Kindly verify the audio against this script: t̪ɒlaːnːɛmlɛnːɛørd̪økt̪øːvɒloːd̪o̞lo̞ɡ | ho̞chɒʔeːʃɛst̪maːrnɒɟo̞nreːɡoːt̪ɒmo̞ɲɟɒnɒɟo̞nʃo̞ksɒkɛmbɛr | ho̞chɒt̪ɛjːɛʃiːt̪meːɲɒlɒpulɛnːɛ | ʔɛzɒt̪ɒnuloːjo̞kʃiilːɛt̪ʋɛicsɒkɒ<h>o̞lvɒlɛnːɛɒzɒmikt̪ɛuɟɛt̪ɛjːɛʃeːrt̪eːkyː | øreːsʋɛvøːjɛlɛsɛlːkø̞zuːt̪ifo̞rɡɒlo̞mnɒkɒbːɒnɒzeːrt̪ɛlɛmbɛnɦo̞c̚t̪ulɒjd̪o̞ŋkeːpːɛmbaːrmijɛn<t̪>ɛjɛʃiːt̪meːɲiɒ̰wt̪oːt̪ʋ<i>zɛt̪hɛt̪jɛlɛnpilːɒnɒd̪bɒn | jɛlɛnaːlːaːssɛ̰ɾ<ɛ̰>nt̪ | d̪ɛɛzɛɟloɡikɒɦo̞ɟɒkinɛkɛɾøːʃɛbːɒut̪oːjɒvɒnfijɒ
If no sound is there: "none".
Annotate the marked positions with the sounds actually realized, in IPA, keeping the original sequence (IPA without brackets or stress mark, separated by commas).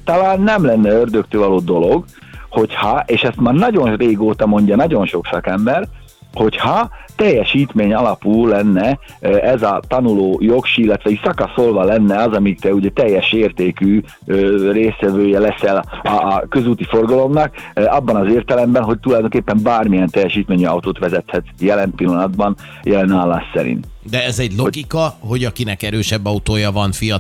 s, t̪, ɛ, ḭ